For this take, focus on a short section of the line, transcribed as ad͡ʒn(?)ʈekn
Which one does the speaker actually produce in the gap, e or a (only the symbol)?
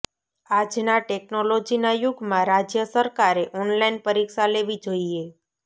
a